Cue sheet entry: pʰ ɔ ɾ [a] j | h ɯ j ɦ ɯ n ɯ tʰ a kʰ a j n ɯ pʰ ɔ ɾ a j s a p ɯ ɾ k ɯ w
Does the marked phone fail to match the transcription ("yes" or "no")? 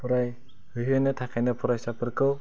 no